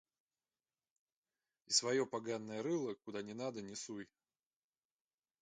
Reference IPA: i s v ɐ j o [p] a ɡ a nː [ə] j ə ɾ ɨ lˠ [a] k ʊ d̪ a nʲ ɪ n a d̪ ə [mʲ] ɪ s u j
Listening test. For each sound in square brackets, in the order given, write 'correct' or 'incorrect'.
correct, correct, incorrect, incorrect

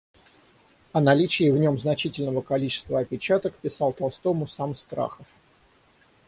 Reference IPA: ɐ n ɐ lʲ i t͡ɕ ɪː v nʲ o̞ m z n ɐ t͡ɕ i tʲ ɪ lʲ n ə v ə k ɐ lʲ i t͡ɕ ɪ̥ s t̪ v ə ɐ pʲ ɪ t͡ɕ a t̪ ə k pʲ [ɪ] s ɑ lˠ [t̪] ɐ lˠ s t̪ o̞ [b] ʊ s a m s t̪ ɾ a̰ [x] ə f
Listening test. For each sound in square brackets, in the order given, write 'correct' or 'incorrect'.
correct, correct, incorrect, correct

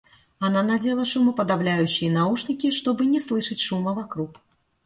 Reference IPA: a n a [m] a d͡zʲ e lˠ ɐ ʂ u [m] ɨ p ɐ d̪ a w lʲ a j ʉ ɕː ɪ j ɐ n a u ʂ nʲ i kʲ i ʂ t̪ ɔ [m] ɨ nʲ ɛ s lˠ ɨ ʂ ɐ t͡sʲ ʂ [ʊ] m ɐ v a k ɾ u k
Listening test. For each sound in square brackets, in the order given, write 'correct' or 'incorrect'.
incorrect, correct, incorrect, incorrect

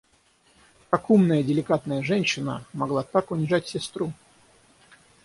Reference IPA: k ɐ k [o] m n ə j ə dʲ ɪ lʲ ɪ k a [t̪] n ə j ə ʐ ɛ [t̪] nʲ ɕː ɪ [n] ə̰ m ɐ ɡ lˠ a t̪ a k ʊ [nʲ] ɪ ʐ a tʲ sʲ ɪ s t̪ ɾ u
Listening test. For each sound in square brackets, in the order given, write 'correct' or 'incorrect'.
incorrect, correct, incorrect, correct, correct

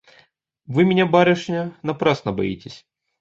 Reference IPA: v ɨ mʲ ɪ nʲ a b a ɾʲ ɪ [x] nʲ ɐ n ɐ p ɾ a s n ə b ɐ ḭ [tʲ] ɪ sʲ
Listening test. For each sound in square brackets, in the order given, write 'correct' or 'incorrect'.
incorrect, correct

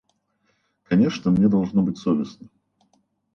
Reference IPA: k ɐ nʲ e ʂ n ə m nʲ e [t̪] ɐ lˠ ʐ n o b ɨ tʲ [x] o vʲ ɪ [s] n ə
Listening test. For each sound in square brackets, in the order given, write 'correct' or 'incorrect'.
incorrect, incorrect, correct

